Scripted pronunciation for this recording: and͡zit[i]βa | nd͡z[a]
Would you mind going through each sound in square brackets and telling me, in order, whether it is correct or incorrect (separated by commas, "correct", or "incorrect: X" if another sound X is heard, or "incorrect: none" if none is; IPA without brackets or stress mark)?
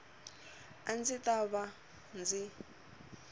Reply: incorrect: a, incorrect: i